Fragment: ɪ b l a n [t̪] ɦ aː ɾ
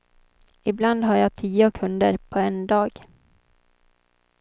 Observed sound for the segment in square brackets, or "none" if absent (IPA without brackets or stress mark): d̪